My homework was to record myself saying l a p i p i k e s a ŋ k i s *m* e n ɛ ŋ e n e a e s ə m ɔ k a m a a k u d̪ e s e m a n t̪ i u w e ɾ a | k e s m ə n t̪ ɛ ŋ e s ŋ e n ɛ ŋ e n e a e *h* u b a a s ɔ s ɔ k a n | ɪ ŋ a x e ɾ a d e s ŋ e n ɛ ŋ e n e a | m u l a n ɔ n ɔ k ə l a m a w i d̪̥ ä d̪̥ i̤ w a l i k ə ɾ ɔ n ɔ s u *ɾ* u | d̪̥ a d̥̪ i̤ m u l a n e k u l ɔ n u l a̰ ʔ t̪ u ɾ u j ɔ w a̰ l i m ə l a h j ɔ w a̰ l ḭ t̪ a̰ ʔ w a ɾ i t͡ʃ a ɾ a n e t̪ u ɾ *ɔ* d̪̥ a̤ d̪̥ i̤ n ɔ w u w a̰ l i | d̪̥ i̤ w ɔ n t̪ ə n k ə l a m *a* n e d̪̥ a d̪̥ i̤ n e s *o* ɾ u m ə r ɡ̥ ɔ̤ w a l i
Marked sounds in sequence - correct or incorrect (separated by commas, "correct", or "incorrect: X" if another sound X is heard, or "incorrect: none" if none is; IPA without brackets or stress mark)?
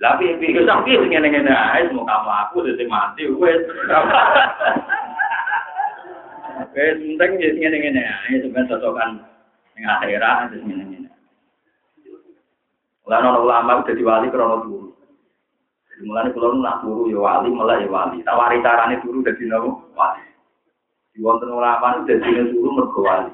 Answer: incorrect: ŋ, incorrect: s, correct, incorrect: u, correct, incorrect: u